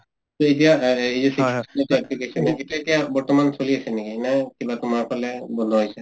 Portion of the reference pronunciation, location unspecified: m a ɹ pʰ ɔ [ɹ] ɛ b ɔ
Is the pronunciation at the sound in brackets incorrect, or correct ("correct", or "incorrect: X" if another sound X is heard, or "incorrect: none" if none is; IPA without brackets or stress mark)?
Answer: incorrect: l